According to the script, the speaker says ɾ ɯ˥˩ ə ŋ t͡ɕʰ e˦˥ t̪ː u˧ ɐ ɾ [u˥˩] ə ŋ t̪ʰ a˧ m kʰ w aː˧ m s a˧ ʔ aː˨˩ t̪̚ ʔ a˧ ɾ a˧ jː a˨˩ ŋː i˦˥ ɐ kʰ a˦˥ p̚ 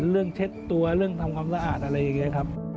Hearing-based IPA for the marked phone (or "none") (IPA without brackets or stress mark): ɯ˥˩